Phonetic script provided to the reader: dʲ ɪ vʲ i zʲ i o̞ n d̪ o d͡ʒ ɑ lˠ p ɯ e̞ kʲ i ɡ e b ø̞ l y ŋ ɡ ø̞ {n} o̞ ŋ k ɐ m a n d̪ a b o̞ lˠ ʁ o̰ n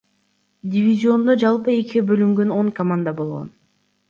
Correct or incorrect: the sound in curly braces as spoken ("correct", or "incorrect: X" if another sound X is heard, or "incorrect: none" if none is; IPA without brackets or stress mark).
correct